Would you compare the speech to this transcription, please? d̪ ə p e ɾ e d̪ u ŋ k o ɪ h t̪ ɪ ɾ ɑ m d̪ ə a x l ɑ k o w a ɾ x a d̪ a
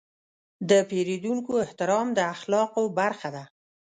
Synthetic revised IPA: d̪ ə p e ɾ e d̪ u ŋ k o ɪ h t̪ ɪ ɾ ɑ m d̪ ə a x l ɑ q o b a ɾ x a d̪ a